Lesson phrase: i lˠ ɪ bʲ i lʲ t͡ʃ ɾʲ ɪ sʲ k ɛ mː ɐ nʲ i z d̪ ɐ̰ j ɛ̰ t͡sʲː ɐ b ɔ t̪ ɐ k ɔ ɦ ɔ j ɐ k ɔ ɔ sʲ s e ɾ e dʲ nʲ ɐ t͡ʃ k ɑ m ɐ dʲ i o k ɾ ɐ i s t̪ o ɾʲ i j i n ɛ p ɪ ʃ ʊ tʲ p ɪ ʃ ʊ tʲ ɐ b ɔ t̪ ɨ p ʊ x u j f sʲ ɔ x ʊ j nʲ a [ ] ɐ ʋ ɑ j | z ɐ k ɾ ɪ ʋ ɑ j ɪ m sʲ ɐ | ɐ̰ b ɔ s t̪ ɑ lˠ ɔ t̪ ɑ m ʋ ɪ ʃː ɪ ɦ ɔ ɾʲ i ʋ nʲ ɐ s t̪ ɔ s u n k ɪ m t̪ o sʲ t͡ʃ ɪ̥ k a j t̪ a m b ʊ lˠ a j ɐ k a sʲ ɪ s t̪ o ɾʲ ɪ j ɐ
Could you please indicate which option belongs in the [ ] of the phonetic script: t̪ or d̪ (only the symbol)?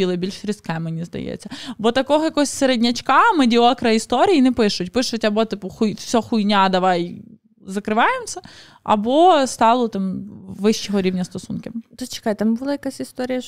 d̪